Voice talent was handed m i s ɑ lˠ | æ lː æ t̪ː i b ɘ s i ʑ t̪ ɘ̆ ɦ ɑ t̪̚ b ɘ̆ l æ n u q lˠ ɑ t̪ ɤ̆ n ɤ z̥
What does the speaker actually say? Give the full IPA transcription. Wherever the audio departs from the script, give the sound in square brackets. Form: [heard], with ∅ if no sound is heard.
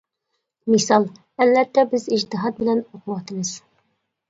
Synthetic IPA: m i s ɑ lˠ | æ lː æ t̪ː [æ] b ɘ [z] i ʑ t̪ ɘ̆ ɦ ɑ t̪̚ b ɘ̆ l æ n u q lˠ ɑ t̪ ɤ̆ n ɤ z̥

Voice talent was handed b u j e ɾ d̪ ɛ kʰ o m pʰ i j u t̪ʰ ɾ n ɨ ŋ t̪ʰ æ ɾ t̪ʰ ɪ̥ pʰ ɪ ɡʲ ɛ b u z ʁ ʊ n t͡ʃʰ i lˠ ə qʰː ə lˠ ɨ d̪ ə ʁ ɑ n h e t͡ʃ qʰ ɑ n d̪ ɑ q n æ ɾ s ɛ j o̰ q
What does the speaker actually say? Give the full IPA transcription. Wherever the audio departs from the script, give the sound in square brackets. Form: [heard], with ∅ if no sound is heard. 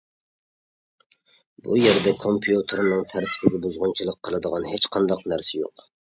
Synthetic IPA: b u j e ɾ d̪ ɛ kʰ o m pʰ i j u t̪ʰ ɾ n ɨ ŋ t̪ʰ æ ɾ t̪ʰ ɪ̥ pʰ ɪ ɡʲ ɛ b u z ʁ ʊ n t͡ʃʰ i lˠ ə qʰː ə lˠ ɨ d̪ ə ʁ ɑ n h e t͡ʃ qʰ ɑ n d̪ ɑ q n æ ɾ s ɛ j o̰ q

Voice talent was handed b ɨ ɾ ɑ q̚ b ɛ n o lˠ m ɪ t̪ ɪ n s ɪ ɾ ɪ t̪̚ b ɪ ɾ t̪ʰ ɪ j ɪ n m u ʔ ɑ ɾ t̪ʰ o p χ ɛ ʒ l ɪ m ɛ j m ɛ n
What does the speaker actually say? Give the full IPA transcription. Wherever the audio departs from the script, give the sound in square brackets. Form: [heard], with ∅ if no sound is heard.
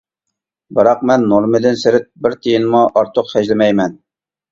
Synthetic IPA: b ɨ ɾ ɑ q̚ [m] ɛ [nː] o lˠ m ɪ [d̪] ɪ n s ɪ ɾ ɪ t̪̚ b ɪ ɾ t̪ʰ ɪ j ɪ n m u ʔ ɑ ɾ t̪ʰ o [q] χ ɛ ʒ l ɪ m ɛ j m ɛ n

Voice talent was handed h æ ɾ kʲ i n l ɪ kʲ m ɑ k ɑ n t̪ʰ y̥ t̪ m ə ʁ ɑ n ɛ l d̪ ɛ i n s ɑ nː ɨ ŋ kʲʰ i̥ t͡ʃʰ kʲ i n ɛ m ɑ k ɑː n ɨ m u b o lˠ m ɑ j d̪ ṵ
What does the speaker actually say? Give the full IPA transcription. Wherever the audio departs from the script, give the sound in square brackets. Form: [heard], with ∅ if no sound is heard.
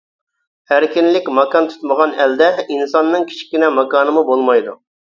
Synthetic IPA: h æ ɾ kʲ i n l ɪ kʲ m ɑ k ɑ n t̪ʰ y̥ t̪ m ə ʁ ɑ n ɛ l d̪ ɛ i n s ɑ nː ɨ ŋ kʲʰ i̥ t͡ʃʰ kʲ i n ɛ m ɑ k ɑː n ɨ m u b o lˠ m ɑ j d̪ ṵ

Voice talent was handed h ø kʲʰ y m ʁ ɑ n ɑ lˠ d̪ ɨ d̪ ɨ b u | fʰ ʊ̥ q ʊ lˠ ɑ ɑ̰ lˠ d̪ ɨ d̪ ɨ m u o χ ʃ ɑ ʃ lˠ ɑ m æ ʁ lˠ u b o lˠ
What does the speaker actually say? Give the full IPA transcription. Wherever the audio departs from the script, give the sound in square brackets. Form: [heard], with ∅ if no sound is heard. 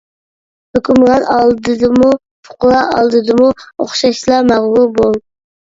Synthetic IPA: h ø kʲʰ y m ʁ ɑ n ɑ lˠ d̪ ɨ d̪ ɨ [m] u | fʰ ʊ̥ q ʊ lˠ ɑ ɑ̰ lˠ d̪ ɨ d̪ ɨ m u o χ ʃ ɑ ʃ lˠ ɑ m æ ʁ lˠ u b o lˠ

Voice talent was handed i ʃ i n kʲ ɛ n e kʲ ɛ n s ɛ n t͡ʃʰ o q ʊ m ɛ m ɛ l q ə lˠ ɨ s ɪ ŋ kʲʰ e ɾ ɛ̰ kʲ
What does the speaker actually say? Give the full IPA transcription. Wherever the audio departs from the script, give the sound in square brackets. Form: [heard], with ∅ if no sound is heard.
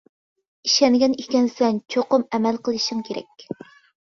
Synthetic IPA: i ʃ [ɛ] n [ɡʲ] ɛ n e kʲ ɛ n s ɛ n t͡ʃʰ o q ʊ m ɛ m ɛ l q ə lˠ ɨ [ʃ] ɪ ŋ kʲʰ e ɾ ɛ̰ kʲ

